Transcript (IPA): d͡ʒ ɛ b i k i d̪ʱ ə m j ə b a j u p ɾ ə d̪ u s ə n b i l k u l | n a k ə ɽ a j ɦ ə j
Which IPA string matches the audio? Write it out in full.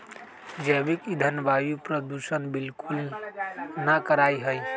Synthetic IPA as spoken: d͡ʒ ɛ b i k i d̪ʱ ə n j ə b a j u p ɾ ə d̪ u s ə n b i l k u l | n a k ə ɾ a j ɦ ə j